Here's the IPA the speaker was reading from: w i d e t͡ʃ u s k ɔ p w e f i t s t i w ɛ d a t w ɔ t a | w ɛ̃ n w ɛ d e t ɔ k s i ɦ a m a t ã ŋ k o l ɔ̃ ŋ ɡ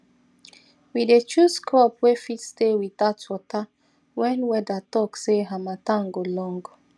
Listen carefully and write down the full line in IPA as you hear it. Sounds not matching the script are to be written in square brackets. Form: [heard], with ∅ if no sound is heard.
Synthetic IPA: w i d e t͡ʃ u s k ɔ p w e f i t s t [e] w [i] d a t w ɔ t a | w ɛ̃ n w ɛ d [a] t ɔ k s [e] ɦ a m a t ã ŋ [ɡ] o l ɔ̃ ŋ ɡ